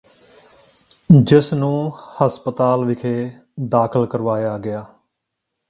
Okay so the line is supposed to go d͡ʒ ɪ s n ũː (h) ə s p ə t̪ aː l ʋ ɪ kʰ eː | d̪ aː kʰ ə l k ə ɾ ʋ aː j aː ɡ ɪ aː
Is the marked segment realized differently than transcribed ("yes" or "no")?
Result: no